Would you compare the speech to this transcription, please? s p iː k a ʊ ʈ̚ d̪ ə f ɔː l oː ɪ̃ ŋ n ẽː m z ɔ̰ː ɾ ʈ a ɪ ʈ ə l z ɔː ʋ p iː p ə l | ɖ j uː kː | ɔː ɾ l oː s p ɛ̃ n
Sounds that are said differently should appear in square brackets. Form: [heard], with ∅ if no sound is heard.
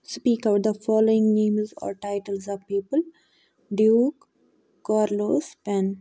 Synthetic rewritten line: s p iː k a ʊ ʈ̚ d̪ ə f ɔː l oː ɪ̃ ŋ n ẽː m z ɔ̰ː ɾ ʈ a ɪ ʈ ə l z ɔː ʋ p iː p ə l | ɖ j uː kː | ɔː ɾ l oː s p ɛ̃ n